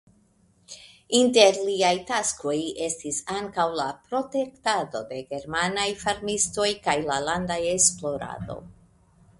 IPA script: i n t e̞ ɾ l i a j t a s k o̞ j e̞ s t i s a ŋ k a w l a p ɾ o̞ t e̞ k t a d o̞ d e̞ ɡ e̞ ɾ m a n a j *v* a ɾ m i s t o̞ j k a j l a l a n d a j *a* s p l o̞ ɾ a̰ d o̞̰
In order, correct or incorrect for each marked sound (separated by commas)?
incorrect, incorrect